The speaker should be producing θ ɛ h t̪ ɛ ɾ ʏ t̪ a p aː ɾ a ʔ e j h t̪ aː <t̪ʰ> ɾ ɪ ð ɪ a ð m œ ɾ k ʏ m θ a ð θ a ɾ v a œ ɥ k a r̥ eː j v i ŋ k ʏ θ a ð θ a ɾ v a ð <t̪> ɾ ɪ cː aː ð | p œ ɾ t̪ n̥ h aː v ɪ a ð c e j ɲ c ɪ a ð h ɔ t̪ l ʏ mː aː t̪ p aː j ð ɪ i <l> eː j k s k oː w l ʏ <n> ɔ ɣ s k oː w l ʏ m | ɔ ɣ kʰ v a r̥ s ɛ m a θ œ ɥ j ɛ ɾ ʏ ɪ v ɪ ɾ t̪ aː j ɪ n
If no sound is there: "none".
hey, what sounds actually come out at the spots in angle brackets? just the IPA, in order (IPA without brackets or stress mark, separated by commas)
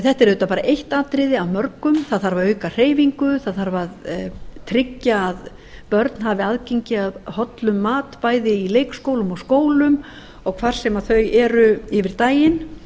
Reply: t̪, t̪ʰ, l, m